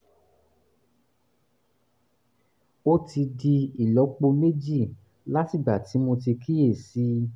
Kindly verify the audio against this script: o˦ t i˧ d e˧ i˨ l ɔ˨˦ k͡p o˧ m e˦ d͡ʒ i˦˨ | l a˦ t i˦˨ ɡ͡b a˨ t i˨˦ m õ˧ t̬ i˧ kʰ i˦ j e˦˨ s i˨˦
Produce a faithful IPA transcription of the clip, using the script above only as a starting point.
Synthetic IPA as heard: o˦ t i˧ d i˧ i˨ l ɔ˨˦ k͡p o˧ m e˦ d͡ʒ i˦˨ | l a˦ t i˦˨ ɡ͡b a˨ t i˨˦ m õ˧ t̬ i˧ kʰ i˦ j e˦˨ s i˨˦